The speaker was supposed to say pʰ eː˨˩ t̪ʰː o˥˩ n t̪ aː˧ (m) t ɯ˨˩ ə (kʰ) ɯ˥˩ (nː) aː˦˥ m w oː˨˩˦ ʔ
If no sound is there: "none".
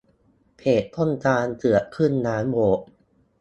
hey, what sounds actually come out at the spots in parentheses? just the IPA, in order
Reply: n, kʰ, nː

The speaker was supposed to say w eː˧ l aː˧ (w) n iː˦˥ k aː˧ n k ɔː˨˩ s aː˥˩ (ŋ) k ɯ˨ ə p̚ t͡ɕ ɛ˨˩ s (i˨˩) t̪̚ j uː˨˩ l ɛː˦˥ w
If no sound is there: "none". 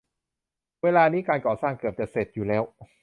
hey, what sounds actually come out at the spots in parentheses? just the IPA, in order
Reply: none, ŋ, e˨˩

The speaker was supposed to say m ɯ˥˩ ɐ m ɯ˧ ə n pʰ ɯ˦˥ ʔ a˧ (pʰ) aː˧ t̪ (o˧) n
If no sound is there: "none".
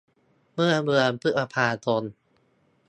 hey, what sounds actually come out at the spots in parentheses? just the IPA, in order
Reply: pʰ, o˧

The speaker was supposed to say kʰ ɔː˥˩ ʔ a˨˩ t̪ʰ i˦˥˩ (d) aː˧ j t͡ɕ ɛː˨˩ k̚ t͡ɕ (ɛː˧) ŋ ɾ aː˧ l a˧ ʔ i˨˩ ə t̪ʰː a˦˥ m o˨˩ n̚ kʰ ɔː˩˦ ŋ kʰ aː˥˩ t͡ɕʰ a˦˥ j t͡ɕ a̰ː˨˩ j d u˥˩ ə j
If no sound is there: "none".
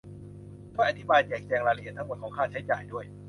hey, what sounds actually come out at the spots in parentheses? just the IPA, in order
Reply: b, ɛː˧

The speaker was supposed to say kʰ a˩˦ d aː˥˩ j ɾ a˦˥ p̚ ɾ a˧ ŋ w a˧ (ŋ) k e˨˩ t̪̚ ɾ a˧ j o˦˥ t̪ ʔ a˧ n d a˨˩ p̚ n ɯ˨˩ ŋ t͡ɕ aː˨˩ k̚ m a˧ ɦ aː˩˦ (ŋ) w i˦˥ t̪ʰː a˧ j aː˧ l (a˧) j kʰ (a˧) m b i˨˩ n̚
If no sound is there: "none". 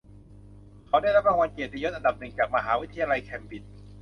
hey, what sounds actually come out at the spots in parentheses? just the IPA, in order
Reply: n, none, a˧, ɛ˧

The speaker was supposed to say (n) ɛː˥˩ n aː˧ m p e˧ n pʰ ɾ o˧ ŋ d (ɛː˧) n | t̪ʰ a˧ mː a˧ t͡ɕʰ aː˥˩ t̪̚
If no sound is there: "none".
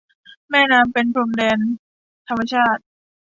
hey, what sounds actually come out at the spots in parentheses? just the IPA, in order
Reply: m, ɛː˧

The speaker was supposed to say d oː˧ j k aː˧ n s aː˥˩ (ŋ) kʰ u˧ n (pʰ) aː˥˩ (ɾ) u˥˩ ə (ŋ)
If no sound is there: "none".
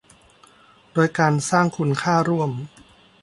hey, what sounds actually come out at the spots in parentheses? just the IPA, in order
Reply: ŋ, kʰ, ɾ, m

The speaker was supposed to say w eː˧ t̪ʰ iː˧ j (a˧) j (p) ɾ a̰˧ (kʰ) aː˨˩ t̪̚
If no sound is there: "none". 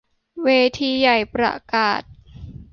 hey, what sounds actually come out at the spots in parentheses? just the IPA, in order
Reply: a˨˩, p, k

